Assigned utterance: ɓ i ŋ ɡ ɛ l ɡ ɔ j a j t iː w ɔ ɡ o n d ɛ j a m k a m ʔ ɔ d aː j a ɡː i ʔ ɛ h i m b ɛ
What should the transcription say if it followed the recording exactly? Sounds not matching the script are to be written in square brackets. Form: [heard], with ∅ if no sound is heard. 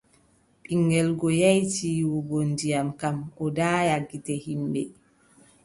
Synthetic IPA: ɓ i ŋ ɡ ɛ l ɡ ɔ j a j t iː w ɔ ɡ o n d [i] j a m k a m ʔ ɔ d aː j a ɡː i [t] ɛ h i m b ɛ